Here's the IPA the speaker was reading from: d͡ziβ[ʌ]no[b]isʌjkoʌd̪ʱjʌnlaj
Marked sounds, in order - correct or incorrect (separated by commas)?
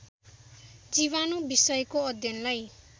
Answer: incorrect, correct